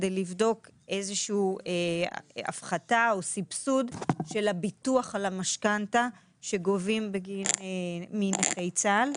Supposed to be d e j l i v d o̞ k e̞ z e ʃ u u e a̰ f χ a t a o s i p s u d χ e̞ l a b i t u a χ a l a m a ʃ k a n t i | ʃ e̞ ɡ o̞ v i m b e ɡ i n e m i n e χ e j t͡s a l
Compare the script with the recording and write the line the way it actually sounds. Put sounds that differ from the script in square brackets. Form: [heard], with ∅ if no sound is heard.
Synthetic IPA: d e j l i v d o̞ k e̞ z e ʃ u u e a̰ f χ a t a o s i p s u d [ʃ] e̞ l a b i t u a χ a l a m a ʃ k a n t [a] | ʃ e̞ ɡ o̞ v i m b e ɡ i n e m i n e χ e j t͡s a l